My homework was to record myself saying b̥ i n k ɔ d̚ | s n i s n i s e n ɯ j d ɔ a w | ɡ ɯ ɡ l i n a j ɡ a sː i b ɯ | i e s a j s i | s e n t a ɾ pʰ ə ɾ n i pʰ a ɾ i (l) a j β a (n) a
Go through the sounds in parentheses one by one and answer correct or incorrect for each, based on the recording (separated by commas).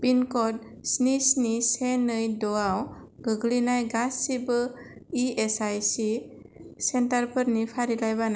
correct, correct